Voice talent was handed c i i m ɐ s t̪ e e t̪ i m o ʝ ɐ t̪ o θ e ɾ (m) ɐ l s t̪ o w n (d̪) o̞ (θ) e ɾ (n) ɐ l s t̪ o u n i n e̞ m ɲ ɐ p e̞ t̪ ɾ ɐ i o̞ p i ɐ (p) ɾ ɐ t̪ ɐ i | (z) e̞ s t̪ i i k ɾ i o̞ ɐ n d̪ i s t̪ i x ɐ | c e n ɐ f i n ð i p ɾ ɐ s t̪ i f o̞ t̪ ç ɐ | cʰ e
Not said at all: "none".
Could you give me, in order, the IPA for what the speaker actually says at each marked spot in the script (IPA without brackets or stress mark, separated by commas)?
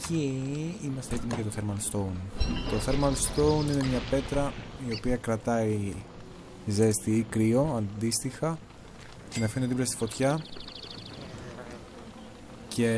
m, t̪, θ, m, k, z